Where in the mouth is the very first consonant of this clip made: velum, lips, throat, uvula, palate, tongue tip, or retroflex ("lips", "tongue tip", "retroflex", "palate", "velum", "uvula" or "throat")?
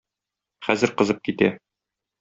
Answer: uvula